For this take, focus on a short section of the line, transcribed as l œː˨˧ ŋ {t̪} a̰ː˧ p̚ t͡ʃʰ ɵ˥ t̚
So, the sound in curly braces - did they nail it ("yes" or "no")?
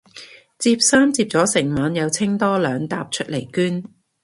yes